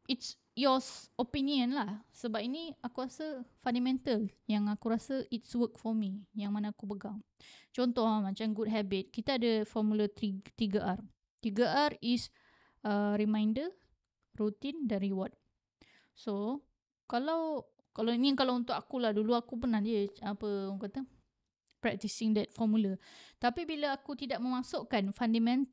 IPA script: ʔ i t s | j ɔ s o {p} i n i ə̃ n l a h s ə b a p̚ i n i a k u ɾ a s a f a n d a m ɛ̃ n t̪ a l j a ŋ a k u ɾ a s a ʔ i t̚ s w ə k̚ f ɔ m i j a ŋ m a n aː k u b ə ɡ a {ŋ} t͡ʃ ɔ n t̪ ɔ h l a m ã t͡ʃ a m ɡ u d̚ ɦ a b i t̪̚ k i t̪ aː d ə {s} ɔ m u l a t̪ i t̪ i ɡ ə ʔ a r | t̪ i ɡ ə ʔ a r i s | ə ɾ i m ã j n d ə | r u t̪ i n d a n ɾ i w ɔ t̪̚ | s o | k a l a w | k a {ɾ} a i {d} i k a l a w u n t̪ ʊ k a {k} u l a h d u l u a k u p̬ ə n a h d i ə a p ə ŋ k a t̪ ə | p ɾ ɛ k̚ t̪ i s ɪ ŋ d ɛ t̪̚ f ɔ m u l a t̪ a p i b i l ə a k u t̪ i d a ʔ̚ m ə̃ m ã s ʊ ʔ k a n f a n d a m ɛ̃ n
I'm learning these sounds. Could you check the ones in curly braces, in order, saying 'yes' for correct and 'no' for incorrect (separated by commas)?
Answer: yes, yes, no, no, no, yes